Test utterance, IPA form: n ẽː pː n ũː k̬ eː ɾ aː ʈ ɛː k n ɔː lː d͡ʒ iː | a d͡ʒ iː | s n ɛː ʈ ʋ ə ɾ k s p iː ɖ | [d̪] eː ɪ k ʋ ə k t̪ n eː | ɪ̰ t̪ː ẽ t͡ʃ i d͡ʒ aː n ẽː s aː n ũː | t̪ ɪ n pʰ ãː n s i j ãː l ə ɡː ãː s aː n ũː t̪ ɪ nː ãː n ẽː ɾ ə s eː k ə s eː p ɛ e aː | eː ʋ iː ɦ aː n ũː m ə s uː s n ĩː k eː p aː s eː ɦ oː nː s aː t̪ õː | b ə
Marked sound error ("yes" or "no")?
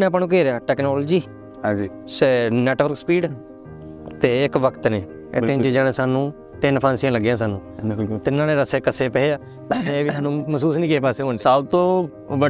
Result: yes